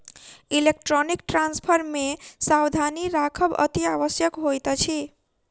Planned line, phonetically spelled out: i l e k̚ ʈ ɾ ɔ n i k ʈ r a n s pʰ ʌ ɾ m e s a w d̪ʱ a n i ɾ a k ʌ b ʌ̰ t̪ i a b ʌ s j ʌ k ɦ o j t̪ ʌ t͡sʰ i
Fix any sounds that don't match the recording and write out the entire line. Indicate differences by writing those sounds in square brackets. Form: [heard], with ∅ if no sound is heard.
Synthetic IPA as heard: i l e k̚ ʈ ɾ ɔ n i k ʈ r a n s pʰ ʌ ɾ m e s a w d̪ʱ a n i ɾ a [kʰ] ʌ b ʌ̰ t̪ i a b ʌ s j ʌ k ɦ o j t̪ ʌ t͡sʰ i